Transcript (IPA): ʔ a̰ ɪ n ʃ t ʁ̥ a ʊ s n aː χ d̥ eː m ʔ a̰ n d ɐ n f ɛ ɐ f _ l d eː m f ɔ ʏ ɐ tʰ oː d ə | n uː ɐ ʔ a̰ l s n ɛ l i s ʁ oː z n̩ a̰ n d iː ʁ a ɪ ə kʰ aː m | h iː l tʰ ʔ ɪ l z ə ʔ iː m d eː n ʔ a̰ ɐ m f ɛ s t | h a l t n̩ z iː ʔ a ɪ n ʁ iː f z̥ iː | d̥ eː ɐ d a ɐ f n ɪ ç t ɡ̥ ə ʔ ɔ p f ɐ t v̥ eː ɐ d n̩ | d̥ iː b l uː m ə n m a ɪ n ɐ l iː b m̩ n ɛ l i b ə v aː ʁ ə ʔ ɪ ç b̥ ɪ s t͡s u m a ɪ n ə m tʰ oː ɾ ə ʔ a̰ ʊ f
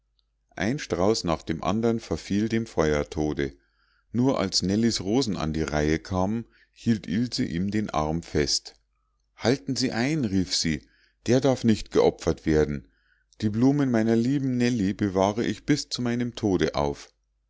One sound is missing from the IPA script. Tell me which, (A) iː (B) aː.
A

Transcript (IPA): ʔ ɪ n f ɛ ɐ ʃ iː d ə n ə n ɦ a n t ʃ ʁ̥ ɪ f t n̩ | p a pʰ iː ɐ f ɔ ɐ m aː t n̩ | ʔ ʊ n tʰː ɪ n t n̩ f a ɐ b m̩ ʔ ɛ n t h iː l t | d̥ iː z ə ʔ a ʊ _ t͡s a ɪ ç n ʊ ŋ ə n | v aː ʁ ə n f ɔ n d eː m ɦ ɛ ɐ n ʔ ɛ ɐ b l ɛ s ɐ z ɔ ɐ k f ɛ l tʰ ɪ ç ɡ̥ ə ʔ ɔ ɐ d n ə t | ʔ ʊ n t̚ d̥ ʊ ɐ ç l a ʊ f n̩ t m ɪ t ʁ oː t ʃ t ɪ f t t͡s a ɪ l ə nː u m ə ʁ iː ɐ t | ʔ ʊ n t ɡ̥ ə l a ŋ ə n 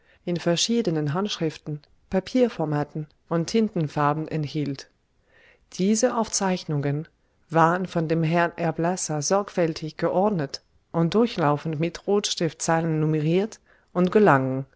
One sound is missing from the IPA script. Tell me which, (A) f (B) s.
A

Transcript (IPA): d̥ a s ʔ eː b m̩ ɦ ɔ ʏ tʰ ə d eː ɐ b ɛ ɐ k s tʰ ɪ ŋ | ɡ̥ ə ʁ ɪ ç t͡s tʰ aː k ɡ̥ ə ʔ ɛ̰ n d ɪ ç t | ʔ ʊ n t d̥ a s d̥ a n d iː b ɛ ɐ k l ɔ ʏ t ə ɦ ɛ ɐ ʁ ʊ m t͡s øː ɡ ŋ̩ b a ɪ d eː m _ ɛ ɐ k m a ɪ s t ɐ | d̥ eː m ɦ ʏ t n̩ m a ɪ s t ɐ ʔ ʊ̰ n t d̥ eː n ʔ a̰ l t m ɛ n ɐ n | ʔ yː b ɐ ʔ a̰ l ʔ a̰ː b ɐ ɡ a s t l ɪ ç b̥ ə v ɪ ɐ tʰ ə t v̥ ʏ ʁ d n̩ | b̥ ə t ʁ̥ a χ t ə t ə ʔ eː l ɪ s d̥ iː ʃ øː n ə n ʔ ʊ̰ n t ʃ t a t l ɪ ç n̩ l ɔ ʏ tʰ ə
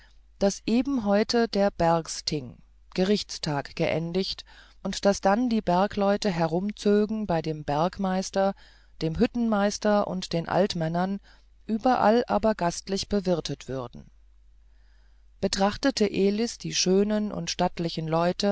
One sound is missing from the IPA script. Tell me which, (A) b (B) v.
A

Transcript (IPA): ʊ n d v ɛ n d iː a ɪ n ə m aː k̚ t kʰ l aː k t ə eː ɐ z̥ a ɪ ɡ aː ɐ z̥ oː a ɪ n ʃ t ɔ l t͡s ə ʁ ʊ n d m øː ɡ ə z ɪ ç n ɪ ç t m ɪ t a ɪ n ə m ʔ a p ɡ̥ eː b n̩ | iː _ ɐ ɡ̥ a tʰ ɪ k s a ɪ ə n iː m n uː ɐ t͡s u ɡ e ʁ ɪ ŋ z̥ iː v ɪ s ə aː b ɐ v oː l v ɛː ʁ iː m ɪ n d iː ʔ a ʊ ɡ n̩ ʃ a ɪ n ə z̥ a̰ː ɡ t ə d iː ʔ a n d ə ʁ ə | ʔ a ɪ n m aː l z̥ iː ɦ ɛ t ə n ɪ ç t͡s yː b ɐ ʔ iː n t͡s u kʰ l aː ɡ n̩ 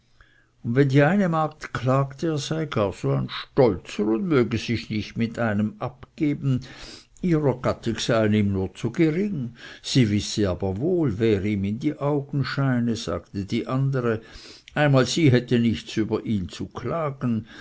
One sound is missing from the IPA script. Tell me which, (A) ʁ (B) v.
A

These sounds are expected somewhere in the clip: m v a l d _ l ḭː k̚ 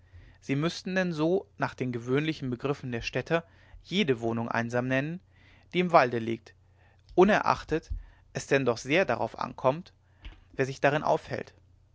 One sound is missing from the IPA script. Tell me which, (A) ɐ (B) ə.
B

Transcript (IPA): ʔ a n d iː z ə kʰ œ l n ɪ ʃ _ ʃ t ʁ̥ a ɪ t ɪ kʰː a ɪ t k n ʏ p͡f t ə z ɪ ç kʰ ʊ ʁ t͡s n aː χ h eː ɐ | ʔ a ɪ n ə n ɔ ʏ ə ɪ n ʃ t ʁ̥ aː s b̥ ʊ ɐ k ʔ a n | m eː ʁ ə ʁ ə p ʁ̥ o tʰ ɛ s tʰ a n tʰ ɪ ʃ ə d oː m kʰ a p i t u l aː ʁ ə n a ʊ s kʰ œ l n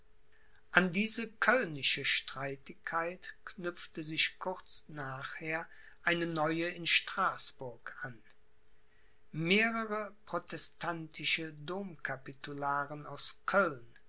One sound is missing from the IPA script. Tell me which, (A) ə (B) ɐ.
A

